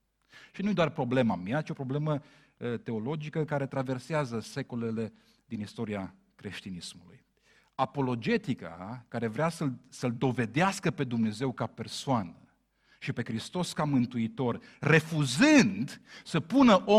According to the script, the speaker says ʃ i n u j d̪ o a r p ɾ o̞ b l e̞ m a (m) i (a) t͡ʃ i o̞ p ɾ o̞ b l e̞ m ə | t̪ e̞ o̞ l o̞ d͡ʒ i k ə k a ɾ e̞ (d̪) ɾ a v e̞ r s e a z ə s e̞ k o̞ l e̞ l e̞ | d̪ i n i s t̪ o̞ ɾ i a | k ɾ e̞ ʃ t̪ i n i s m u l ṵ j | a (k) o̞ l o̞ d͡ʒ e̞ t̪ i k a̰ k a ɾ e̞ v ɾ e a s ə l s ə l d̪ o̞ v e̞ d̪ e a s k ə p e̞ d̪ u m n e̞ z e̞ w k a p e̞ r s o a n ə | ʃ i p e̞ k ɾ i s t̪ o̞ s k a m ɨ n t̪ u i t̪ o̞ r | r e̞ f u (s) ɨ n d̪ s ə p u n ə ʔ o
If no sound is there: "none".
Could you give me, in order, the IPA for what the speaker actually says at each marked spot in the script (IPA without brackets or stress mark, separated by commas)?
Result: m, a, t̪, p, z